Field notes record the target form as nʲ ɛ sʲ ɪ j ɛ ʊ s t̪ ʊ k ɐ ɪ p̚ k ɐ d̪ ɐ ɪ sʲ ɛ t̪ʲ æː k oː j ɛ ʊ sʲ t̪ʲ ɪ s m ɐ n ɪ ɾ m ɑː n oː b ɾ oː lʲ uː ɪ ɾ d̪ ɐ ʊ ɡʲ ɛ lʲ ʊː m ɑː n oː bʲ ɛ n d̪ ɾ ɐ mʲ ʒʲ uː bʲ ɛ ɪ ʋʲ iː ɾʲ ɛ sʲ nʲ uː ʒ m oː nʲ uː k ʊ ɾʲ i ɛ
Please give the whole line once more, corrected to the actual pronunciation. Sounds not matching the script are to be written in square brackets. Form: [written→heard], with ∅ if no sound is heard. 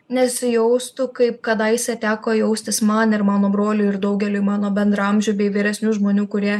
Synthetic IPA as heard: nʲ ɛ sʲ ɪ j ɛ ʊ s t̪ ʊ k ɐ ɪ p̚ k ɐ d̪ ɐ ɪ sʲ ɛ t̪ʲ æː k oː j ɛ ʊ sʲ t̪ʲ ɪ s m ɐ n ɪ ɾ m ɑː n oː b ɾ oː lʲ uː ɪ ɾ d̪ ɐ ʊ ɡʲ ɛ lʲ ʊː m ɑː n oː bʲ ɛ n d̪ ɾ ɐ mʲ ʒʲ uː bʲ ɛ ɪ ʋʲ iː ɾʲ ɛ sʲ nʲ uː ʒ m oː nʲ uː k ʊ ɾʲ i ɛ